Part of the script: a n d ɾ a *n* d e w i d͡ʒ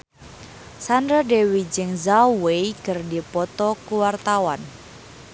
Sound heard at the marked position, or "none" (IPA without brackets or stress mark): none